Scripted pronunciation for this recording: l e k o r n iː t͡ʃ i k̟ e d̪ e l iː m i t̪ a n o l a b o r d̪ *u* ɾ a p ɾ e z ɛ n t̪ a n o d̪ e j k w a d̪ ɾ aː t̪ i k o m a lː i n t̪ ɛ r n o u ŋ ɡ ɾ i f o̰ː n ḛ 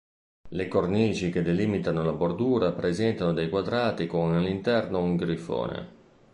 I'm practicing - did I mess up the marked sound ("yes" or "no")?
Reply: yes